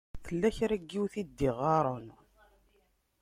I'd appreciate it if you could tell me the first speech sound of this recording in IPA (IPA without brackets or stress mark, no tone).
θ